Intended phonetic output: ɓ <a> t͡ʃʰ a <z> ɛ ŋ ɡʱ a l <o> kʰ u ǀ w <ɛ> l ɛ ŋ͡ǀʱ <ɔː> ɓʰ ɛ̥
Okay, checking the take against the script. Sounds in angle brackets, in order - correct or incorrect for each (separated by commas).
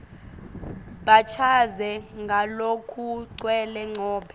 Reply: correct, correct, correct, correct, correct